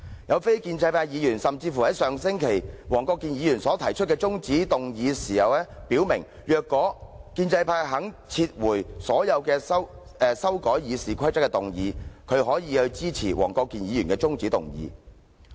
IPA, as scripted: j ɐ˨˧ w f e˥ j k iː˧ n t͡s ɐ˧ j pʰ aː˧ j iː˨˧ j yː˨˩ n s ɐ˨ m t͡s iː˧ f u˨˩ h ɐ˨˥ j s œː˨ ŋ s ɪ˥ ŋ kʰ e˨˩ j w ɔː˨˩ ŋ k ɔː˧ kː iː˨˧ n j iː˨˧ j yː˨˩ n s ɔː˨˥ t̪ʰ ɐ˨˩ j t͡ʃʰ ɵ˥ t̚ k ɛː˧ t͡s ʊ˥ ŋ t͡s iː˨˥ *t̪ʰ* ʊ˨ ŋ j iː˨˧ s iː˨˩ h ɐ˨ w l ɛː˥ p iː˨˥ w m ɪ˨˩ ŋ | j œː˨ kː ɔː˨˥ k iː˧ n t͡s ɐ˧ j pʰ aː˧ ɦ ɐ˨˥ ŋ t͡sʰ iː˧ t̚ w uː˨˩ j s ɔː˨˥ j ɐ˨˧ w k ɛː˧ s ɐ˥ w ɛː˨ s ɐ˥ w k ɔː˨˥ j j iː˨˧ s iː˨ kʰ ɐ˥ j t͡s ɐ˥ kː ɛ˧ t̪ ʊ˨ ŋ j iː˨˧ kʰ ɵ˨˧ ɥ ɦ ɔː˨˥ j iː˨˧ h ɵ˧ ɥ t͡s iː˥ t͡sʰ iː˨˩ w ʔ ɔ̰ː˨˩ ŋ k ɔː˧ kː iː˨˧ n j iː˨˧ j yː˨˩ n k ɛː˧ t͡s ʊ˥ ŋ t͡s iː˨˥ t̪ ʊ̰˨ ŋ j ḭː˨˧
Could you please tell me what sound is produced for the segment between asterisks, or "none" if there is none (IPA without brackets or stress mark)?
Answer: t̪